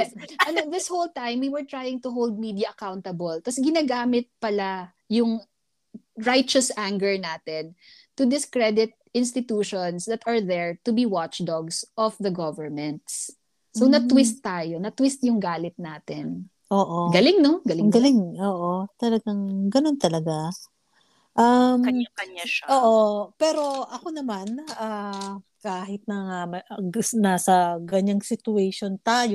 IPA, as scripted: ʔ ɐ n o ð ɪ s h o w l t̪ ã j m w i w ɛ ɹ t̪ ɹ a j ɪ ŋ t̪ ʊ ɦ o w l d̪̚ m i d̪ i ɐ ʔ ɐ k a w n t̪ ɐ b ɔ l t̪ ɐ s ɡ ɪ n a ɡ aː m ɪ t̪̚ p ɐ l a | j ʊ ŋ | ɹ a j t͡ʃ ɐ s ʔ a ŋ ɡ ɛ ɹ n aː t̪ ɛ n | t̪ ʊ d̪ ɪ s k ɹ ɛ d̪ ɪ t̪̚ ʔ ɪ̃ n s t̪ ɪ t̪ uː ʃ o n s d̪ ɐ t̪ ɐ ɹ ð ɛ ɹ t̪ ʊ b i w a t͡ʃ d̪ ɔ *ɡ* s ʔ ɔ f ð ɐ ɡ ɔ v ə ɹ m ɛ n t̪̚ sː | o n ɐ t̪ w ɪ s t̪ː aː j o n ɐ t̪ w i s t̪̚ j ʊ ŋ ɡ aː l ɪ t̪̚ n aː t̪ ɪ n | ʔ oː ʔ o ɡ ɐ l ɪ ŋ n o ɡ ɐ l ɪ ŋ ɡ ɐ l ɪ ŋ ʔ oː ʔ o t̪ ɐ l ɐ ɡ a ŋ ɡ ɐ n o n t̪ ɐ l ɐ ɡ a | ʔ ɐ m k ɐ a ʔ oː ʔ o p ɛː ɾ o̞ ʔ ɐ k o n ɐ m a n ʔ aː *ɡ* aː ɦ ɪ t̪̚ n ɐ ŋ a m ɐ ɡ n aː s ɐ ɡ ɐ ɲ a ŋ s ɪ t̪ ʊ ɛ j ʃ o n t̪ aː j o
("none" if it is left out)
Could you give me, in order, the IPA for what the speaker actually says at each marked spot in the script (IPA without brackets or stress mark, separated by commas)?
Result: ɡ, k